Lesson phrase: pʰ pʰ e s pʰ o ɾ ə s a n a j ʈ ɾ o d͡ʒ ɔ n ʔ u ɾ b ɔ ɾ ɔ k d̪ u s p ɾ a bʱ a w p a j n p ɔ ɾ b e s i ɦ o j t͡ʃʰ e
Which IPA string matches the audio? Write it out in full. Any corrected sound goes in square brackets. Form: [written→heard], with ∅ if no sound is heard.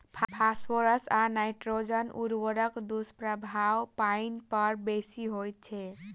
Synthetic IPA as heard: pʰ pʰ [e→a] s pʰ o ɾ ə s a n a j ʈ ɾ o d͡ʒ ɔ n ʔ u ɾ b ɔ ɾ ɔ k d̪ u s p ɾ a bʱ a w p a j n p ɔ ɾ b e s i ɦ o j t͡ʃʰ e